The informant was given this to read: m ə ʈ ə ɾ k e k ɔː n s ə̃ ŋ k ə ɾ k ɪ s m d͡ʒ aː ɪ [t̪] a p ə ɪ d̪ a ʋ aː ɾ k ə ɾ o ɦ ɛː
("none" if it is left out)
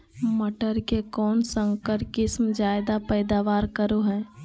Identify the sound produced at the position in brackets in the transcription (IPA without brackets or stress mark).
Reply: d̪